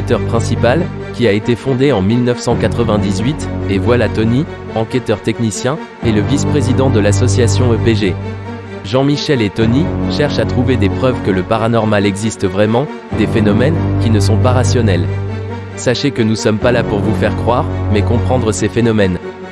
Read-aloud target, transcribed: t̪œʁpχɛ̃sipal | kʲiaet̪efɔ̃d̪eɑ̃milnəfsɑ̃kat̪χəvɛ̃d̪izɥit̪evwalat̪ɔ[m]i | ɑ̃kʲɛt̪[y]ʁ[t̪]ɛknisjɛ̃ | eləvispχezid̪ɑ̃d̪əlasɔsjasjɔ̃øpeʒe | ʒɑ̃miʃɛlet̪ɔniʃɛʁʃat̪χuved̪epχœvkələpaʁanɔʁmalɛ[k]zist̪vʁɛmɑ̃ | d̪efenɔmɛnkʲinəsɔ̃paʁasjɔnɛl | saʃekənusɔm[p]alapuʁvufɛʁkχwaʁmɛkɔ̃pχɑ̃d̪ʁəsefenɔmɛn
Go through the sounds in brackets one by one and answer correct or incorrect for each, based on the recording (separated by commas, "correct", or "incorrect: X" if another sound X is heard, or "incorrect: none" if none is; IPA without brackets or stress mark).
incorrect: n, incorrect: œ, correct, incorrect: ɡ, correct